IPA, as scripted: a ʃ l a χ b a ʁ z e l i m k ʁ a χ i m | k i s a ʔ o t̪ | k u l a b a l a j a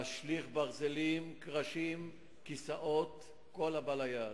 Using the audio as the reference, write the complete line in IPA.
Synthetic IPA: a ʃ l i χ b a ʁ z e l i m k ʁ a ʃ i m | k i s a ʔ o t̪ | k o l a b a l a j a